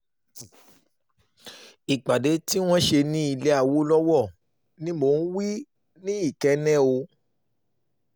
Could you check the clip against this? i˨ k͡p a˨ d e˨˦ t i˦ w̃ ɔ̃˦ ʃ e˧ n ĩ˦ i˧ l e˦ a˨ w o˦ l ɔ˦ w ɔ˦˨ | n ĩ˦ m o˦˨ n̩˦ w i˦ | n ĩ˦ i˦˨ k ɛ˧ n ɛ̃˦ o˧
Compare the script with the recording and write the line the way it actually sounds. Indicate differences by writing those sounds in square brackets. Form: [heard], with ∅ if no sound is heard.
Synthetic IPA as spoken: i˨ k͡p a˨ d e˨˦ t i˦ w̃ ɔ̃˦ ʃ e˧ n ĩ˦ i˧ l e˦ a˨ w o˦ l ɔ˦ w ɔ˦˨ | n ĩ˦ m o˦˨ n̩˦ w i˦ | n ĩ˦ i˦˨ k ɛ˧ n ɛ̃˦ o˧